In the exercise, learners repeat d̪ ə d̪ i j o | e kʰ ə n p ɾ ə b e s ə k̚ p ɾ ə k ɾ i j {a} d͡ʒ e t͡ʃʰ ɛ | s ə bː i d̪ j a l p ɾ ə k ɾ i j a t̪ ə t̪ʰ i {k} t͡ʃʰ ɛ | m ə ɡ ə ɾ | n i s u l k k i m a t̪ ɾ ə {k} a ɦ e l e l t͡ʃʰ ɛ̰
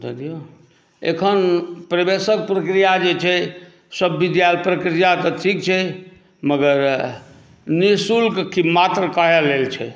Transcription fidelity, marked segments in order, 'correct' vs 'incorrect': correct, correct, correct

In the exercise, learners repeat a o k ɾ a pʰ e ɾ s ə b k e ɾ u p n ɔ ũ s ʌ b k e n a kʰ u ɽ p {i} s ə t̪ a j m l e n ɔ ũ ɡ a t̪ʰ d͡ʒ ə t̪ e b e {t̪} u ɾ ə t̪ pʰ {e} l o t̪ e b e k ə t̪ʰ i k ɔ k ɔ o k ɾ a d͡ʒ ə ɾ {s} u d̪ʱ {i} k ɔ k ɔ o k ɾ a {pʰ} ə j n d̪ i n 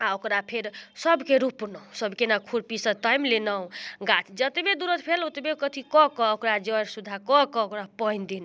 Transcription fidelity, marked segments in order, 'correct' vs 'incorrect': correct, incorrect: d̪, correct, correct, incorrect: a, incorrect: p

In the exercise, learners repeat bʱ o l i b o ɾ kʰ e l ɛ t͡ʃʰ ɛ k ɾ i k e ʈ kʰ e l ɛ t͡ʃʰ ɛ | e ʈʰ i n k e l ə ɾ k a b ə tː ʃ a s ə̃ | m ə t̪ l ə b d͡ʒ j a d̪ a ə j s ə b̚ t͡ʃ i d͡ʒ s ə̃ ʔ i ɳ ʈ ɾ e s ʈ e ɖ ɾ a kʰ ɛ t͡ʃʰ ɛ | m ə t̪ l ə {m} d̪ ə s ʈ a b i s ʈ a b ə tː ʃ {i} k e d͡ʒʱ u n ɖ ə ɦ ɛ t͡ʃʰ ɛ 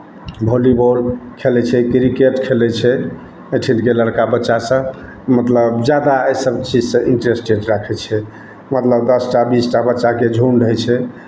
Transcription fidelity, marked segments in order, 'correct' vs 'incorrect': incorrect: b, incorrect: a

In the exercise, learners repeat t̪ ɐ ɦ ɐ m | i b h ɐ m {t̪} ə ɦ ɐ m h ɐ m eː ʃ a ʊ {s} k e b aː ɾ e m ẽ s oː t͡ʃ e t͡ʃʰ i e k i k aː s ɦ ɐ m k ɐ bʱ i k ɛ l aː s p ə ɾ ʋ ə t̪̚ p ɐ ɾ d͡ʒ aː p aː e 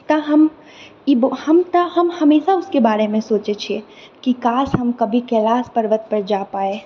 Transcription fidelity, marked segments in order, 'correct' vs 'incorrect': correct, correct

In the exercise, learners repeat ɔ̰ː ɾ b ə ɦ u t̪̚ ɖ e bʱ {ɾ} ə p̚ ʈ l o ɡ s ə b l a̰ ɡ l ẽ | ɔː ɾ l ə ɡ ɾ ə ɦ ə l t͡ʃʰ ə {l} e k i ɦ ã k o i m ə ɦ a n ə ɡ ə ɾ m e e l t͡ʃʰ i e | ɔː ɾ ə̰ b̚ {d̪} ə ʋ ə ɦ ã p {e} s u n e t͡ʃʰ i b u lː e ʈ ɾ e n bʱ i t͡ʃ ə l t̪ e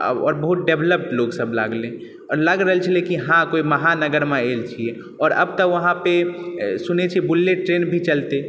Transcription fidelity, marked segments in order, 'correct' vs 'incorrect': incorrect: l, correct, incorrect: t̪, correct

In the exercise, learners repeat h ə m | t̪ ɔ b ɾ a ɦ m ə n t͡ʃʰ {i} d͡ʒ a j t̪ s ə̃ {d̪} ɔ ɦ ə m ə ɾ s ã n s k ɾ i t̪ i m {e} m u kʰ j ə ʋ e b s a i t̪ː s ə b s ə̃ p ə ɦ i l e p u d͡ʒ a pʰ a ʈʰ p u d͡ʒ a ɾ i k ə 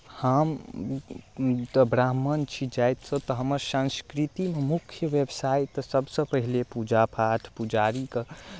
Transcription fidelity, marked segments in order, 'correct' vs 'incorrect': correct, incorrect: t̪, correct

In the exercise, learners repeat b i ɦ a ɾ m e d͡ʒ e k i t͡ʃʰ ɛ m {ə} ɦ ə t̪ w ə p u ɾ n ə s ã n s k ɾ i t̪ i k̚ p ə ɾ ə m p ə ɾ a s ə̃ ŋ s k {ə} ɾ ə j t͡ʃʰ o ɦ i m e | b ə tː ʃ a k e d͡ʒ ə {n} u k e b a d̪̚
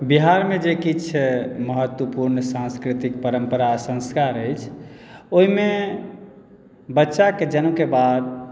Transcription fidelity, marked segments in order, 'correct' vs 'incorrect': correct, incorrect: a, correct

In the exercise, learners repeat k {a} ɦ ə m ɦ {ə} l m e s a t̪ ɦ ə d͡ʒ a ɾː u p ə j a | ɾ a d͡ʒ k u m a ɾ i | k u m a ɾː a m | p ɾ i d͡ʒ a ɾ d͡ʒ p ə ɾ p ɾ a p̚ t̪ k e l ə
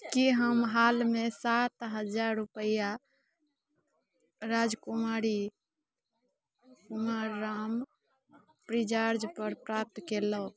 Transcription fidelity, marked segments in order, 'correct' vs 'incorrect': incorrect: i, incorrect: a

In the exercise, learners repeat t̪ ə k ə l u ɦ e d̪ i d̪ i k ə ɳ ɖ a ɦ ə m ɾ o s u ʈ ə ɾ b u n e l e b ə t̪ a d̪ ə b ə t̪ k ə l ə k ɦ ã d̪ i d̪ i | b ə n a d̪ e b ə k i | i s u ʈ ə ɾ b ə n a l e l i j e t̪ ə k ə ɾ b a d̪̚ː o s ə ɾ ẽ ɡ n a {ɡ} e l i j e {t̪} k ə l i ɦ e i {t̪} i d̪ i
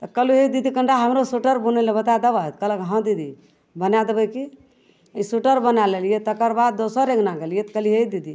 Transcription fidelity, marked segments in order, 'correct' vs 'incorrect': correct, correct, incorrect: d̪

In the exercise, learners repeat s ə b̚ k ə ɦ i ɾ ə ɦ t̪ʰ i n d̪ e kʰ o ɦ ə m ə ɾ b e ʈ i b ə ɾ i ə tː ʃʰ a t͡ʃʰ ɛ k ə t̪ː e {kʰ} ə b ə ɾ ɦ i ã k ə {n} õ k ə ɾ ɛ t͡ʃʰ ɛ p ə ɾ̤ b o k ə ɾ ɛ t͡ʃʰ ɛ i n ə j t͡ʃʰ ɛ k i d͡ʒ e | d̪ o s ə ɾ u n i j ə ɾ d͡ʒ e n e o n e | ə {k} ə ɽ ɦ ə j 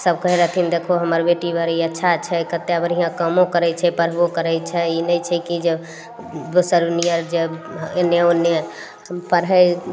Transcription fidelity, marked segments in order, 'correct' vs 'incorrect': incorrect: none, incorrect: m, incorrect: p

